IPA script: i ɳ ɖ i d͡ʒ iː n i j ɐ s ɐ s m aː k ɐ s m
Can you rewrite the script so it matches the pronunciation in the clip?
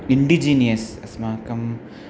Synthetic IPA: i ɳ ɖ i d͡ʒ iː n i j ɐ s ɐ s m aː k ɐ m